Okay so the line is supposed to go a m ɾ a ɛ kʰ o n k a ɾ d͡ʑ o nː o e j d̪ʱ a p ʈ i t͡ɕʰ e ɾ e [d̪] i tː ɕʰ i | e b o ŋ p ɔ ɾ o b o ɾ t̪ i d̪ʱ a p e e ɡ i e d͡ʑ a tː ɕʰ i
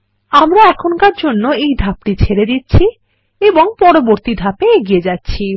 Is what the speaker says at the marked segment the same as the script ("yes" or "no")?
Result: yes